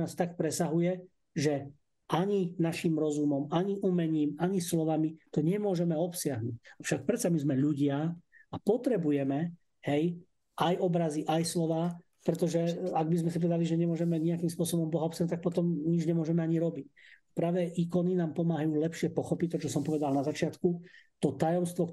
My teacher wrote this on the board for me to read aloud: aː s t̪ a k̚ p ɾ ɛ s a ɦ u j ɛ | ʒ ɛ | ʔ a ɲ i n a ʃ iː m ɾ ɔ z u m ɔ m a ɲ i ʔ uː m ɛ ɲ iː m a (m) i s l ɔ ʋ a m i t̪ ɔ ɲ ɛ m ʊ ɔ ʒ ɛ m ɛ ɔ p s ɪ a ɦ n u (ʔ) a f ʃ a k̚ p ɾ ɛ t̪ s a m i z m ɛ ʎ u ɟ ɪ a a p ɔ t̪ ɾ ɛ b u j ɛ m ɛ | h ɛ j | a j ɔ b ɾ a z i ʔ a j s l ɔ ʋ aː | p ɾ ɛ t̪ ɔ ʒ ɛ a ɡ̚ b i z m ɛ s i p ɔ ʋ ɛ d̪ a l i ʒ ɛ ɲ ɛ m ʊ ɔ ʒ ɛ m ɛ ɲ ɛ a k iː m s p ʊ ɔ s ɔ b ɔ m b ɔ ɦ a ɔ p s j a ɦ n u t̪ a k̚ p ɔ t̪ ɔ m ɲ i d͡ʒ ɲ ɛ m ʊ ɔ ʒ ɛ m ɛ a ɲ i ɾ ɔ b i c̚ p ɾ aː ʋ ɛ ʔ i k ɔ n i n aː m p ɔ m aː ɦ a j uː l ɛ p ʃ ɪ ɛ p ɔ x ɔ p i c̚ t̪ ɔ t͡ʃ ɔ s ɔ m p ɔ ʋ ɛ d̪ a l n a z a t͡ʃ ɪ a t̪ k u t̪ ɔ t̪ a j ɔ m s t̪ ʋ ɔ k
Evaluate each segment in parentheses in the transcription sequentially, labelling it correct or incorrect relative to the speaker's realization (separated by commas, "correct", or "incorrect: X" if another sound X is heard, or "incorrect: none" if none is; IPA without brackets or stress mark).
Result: incorrect: ɲ, incorrect: c